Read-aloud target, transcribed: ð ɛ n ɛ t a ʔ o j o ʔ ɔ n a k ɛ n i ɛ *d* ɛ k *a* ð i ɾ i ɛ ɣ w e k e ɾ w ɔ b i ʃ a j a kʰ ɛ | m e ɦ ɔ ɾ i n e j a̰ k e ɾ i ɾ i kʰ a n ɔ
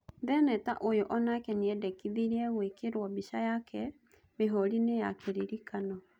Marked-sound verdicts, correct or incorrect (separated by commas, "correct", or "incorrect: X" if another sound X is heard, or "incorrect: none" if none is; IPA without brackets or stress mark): correct, incorrect: i